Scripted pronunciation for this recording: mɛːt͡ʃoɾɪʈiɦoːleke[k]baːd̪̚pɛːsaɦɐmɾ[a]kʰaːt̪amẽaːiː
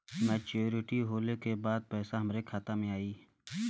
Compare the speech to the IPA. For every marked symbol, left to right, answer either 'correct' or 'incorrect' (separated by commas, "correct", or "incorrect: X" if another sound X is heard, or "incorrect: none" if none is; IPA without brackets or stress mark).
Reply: incorrect: none, incorrect: e